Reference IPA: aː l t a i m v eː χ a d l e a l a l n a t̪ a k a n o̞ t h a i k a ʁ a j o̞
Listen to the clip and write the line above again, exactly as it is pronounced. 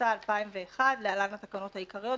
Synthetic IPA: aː l p a i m v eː χ a d l e a l a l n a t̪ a k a n o̞ t h a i k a ʁ i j o̞